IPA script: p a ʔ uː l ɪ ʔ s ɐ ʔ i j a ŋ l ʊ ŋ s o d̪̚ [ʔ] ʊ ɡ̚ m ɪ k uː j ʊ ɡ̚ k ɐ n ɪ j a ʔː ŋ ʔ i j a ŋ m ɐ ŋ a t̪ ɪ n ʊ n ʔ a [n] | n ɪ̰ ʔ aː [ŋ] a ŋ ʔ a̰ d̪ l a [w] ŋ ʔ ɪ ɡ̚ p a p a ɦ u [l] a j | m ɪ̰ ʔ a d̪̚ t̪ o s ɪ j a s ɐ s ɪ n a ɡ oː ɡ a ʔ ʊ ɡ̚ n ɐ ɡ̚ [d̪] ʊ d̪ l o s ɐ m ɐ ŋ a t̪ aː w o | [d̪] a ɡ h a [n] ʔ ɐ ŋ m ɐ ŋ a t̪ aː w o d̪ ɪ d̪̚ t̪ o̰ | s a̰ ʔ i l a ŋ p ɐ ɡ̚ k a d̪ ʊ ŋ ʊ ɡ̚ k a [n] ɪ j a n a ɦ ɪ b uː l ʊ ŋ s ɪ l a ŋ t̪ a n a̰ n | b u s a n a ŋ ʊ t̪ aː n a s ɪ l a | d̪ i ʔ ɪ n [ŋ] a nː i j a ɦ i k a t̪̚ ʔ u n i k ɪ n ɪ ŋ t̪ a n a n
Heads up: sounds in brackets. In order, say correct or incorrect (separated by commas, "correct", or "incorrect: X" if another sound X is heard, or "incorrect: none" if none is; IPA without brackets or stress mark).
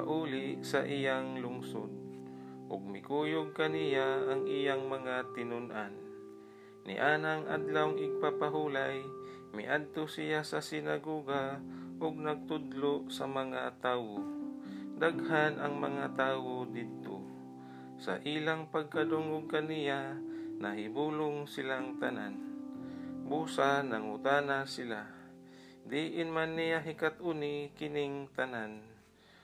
correct, correct, incorrect: n, correct, correct, incorrect: t̪, correct, correct, correct, incorrect: m